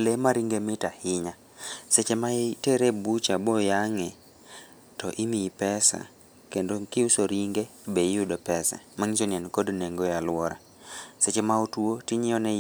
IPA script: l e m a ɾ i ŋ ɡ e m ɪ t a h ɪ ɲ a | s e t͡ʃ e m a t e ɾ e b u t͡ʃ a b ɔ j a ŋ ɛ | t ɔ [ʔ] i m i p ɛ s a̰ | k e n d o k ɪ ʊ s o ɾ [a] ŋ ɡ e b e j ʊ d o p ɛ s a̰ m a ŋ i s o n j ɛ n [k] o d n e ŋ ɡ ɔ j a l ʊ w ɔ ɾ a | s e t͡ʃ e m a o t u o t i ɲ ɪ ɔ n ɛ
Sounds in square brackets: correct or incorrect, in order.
correct, incorrect: i, correct

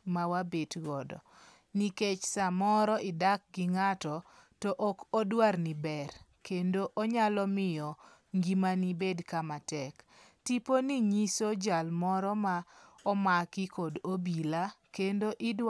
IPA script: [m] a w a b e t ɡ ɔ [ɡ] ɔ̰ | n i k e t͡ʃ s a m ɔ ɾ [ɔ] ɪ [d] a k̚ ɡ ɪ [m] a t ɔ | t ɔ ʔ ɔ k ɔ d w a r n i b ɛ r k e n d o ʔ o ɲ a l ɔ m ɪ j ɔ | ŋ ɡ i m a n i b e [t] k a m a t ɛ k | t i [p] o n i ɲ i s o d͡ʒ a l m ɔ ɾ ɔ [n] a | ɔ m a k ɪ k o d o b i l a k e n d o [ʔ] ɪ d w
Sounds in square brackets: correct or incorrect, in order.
correct, incorrect: d, correct, correct, incorrect: ŋ, incorrect: d, correct, incorrect: m, correct

